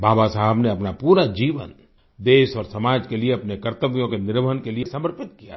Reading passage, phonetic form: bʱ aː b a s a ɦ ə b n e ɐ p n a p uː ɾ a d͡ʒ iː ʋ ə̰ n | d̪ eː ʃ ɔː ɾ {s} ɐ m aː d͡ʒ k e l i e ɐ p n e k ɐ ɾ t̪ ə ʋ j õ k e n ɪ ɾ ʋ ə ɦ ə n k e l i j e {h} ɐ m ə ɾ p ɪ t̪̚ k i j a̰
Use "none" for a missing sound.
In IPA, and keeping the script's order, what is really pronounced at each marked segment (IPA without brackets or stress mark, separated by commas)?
s, s